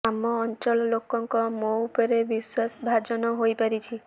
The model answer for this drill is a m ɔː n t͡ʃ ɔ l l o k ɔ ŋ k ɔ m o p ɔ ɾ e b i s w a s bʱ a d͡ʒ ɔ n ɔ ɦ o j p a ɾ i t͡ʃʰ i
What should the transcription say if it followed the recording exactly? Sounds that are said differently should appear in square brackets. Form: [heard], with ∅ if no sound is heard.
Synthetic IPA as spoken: a m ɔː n t͡ʃ ɔ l l o k ɔ ŋ k ɔ m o p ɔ ɾ e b i s w a s bʱ a d͡ʒ ɔ n ɔ ɦ o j p a ɾ i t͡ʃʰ i